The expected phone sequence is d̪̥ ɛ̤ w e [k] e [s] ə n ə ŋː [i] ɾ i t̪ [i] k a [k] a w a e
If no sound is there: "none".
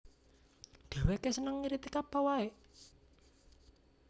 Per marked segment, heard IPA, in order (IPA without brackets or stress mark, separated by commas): k, s, i, i, p